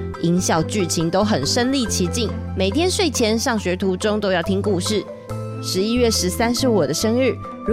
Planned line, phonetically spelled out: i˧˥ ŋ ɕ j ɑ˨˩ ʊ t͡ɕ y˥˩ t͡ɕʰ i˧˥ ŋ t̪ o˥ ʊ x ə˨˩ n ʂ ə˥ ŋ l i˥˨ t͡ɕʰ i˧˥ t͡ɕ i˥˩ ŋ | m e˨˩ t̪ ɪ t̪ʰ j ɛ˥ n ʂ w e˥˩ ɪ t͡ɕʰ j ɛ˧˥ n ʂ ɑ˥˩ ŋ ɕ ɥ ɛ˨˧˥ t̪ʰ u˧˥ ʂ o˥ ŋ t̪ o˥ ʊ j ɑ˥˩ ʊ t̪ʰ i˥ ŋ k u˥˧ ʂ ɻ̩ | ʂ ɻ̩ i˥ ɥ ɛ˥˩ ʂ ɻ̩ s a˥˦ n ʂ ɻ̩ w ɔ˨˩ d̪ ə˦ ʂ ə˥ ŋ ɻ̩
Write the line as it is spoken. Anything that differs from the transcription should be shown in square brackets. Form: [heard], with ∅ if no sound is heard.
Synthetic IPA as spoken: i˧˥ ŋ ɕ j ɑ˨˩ ʊ t͡ɕ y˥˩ t͡ɕʰ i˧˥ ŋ t̪ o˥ ʊ x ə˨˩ n ʂ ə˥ [n] l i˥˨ t͡ɕʰ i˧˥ t͡ɕ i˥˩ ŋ | m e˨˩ [∅] ɪ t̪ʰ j ɛ˥ n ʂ w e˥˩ ɪ t͡ɕʰ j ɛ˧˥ n ʂ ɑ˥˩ ŋ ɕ ɥ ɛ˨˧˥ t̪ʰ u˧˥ [ʈ͡ʂ] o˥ ŋ t̪ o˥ ʊ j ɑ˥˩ ʊ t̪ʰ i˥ ŋ k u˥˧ ʂ ɻ̩ | ʂ ɻ̩ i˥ ɥ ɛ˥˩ ʂ ɻ̩ s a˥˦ n ʂ ɻ̩ w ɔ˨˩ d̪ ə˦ ʂ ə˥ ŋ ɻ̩